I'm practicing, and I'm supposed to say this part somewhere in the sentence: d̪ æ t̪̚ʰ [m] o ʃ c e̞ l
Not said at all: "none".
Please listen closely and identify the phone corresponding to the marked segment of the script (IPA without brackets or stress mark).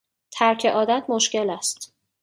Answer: m